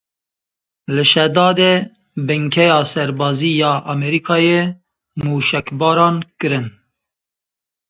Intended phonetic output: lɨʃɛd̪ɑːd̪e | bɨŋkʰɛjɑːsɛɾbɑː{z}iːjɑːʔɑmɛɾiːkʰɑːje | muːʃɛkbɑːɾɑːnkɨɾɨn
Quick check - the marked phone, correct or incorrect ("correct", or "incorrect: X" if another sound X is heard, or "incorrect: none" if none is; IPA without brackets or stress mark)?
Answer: correct